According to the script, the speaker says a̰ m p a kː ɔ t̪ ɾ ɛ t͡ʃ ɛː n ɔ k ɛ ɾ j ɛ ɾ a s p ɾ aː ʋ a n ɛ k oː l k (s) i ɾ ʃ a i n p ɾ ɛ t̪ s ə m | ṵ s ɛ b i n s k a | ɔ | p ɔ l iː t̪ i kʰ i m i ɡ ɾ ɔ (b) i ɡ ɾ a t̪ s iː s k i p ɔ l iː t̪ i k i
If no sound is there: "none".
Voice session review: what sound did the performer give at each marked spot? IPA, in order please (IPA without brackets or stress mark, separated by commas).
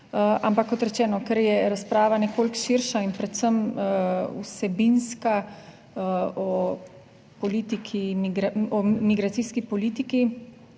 ʃ, m